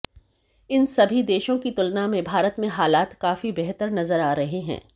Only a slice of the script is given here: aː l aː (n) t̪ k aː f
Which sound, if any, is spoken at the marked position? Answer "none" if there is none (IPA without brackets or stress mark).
none